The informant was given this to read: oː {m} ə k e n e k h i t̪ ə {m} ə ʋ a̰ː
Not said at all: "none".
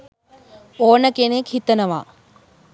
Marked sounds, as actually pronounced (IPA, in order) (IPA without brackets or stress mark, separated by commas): n, n